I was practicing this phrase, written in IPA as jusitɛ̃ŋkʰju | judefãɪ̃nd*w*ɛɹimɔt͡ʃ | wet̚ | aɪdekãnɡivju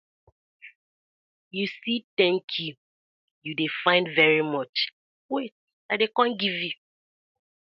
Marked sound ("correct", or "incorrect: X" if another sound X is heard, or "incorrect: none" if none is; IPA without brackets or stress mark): incorrect: v